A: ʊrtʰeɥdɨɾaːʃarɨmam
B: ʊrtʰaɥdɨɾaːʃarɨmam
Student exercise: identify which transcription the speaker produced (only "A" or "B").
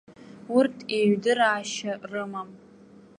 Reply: A